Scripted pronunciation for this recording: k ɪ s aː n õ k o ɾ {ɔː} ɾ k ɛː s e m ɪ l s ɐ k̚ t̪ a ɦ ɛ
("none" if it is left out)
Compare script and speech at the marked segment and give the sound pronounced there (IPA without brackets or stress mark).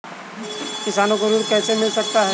uː